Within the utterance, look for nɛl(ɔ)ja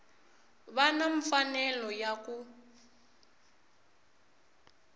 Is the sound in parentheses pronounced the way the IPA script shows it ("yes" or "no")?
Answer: yes